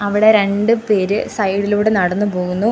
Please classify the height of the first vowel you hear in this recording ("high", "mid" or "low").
low